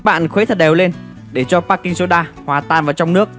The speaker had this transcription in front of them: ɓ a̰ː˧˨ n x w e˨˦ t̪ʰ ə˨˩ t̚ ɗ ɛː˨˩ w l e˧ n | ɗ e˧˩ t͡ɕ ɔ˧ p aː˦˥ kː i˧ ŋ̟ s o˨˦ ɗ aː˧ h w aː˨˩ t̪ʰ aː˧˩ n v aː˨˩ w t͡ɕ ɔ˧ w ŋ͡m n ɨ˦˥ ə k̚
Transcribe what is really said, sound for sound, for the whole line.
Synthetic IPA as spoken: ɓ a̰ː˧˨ n x w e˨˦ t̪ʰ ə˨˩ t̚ ɗ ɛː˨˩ w l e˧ n | ɗ e˧˩ t͡ɕ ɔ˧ p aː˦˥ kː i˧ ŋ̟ s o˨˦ ɗ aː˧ h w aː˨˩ t̪ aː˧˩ n v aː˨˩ w t͡ɕ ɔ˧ w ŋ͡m n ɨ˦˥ ə k̚